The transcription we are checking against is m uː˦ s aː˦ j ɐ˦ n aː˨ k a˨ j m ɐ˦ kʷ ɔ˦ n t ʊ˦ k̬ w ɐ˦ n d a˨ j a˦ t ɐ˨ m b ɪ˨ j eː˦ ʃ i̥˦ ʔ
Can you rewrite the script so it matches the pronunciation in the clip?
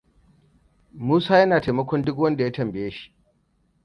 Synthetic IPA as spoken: m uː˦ s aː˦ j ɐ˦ n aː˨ t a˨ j m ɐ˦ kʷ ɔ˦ n d ʊ˦ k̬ w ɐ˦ n d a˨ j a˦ t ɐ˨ m b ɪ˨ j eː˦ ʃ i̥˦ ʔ